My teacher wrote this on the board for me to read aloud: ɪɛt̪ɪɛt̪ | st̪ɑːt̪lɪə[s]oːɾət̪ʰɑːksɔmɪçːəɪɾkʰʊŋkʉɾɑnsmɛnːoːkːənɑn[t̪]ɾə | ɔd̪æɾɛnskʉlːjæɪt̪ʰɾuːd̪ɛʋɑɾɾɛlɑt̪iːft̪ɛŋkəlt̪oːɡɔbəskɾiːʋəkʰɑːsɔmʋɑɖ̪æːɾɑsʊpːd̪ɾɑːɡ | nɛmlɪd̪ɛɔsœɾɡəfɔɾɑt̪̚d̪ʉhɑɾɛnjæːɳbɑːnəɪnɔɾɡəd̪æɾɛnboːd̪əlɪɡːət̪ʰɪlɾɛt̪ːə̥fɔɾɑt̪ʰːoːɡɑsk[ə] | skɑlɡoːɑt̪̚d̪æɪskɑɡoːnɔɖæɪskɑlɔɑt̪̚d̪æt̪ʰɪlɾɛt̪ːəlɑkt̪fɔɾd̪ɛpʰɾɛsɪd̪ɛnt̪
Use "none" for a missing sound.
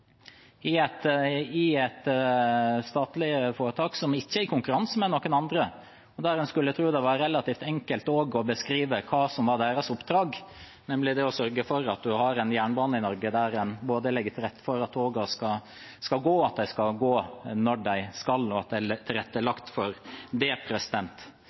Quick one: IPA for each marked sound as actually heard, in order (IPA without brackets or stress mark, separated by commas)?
f, d̪, ɑ